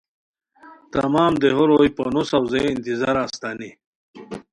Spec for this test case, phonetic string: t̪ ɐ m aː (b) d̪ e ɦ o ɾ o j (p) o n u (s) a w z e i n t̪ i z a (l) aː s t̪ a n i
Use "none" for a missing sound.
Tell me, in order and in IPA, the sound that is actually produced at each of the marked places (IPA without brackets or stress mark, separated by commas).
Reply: m, p, s, ɾ